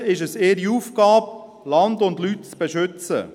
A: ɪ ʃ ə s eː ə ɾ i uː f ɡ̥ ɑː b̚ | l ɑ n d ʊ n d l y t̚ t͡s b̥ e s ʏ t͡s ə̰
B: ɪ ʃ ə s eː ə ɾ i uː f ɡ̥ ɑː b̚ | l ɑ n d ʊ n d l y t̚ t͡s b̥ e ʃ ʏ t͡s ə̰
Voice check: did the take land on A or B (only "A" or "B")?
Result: B